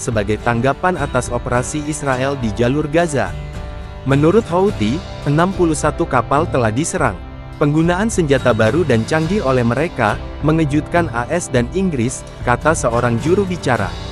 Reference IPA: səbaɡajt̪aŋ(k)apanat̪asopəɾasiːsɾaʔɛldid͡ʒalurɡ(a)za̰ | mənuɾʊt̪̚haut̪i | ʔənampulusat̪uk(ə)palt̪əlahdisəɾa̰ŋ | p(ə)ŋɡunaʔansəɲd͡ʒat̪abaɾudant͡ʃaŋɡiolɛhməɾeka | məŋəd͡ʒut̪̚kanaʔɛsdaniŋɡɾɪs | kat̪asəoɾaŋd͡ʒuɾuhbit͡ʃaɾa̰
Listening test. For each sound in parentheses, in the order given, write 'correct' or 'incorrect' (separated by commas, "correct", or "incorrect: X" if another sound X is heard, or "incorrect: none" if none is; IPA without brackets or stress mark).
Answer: incorrect: ɡ, correct, incorrect: a, correct